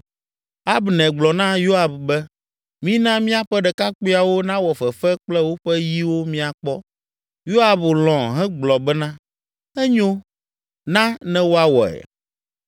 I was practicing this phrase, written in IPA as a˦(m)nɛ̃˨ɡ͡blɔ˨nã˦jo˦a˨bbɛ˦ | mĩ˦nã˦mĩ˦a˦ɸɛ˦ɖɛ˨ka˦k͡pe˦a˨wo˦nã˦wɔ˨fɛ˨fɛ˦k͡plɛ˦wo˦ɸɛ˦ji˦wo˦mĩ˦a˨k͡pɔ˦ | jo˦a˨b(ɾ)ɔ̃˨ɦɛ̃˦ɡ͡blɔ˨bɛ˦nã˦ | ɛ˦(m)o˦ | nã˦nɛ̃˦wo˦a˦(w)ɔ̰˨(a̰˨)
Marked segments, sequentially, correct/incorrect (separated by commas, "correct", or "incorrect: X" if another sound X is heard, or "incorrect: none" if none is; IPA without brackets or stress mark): incorrect: b, incorrect: l, incorrect: ɲ, correct, incorrect: ɛ̰˨